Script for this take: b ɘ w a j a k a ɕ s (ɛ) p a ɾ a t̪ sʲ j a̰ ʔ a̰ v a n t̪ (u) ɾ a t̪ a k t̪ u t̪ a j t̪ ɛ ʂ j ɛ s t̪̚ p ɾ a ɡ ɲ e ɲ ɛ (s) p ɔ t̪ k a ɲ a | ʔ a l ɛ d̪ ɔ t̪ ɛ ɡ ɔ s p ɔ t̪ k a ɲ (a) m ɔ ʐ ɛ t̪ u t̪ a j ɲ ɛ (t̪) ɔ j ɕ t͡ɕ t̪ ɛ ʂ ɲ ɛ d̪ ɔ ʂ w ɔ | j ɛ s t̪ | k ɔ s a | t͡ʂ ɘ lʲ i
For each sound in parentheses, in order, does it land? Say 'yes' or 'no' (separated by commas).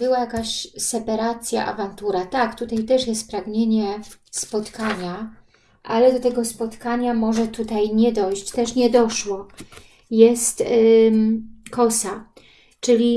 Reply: yes, yes, yes, yes, no